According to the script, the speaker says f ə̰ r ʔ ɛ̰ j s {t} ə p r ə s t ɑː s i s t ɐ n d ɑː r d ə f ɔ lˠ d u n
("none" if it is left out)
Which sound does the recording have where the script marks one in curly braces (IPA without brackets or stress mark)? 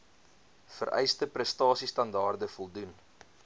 t